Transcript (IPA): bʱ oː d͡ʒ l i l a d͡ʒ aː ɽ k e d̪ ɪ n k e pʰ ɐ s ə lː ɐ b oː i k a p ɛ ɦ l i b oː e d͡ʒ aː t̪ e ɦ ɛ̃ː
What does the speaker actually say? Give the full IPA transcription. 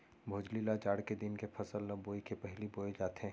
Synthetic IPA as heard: bʱ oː d͡ʒ l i l a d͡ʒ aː ɽ k e d̪ ɪ n k e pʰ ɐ s ə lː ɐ b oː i k e p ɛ ɦ l i b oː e d͡ʒ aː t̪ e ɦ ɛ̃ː